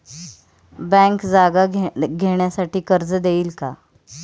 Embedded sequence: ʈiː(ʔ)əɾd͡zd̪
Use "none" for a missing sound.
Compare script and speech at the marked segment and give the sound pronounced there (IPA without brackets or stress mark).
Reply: k